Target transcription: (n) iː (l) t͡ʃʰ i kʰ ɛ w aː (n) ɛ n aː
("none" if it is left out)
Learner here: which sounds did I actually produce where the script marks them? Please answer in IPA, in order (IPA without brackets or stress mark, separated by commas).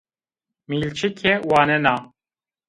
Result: m, l, n